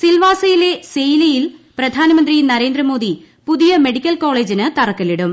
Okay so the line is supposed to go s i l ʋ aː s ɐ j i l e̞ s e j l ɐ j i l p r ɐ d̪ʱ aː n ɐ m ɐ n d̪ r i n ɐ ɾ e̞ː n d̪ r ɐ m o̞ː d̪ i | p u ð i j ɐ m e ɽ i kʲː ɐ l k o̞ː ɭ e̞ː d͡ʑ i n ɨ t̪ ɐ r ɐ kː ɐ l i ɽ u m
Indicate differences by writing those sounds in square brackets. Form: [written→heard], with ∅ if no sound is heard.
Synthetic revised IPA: s i l ʋ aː s ɐ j i l e̞ s e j l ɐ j i l p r ɐ d̪ʱ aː n ɐ m ɐ n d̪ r i n ɐ ɾ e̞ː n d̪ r ɐ m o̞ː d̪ i | p u ð i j ɐ m e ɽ i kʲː ɐ l k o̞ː ɭ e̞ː d͡ʑ i n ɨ t̪ ɐ r ɐ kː ɐ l i ɽ u m